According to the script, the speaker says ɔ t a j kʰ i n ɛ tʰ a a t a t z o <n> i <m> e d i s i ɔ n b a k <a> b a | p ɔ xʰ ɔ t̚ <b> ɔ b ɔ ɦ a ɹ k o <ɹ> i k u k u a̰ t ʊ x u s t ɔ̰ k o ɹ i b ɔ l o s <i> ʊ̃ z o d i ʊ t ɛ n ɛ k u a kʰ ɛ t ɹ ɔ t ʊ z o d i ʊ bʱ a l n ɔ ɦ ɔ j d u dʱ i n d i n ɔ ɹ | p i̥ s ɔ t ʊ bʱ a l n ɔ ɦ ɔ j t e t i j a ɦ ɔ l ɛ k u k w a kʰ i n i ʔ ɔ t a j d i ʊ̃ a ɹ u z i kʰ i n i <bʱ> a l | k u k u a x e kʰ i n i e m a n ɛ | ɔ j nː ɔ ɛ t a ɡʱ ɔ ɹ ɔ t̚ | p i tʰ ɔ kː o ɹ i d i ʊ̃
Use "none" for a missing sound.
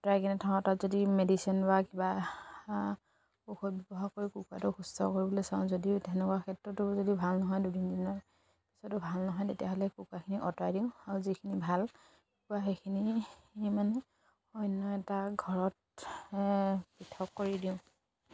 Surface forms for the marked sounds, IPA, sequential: d, m, i, b, ɹ, a, bʱ

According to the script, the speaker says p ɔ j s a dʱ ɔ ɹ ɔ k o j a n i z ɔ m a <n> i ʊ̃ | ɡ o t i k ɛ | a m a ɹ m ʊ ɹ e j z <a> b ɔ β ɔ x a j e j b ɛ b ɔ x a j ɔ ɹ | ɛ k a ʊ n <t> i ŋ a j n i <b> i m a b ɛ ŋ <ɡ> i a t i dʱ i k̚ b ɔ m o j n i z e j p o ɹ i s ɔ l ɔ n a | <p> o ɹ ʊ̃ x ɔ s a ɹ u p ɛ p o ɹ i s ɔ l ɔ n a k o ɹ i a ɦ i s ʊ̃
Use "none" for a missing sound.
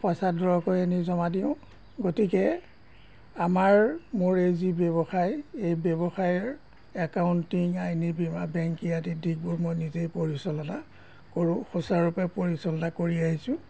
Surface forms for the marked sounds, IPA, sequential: d, i, t, b, k, k

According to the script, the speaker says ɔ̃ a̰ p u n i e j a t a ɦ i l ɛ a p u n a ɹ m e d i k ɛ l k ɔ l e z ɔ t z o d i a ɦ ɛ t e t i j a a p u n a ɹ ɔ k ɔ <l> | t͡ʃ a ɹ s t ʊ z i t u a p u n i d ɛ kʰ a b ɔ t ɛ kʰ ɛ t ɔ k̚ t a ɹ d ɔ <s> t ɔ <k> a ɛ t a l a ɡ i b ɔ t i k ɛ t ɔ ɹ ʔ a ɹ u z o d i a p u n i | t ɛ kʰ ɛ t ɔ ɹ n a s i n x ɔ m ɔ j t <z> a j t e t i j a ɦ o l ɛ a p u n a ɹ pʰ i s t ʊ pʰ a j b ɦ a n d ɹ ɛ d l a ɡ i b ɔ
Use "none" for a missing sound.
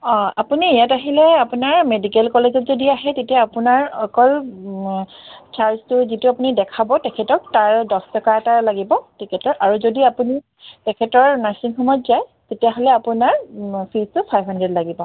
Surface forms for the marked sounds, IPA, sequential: l, s, k, z

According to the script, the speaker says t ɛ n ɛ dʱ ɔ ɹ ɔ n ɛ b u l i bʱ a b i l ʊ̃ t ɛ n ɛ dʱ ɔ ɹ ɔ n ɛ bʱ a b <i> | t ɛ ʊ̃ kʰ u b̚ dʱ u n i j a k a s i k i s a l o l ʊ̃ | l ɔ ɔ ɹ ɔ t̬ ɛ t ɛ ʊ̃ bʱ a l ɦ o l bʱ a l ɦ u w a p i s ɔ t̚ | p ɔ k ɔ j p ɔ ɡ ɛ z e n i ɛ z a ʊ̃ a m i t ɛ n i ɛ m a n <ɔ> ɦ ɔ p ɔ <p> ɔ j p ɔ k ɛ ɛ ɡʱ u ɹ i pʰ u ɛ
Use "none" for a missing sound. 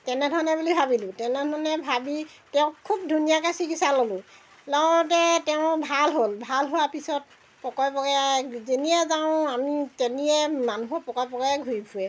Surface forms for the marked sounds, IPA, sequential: i, u, k

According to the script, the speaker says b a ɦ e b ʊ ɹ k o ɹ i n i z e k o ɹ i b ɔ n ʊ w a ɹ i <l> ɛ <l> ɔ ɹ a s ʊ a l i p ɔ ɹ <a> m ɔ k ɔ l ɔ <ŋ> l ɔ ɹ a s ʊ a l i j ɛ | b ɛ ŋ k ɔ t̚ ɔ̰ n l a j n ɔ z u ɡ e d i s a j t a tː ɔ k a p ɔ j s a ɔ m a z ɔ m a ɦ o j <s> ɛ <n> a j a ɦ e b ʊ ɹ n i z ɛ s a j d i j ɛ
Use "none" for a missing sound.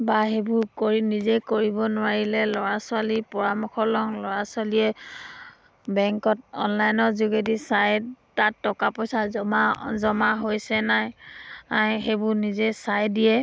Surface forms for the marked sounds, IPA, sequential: l, l, a, ŋ, s, n

